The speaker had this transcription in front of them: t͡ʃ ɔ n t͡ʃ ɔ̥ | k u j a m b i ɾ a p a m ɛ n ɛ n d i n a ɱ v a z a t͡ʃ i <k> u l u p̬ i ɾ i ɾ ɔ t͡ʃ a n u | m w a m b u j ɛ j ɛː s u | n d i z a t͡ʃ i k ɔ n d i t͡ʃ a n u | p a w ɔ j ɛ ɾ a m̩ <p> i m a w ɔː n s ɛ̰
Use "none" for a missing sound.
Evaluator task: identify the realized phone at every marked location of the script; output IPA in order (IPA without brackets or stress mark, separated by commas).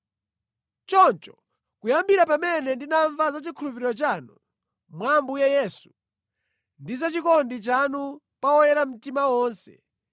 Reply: kʰ, t